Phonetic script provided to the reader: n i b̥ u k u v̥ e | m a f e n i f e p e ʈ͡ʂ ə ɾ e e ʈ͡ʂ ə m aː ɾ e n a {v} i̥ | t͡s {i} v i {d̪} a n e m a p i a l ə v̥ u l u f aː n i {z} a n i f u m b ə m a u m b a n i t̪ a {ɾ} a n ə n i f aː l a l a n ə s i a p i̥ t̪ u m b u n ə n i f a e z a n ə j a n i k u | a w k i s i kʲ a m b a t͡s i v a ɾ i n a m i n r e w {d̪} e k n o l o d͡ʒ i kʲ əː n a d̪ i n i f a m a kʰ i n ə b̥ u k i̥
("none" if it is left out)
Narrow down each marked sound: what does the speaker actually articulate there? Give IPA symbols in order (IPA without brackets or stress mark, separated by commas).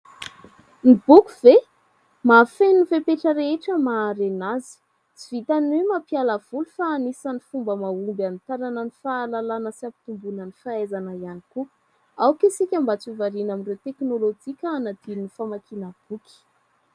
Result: z, i, t̪, s, ɾ, t̪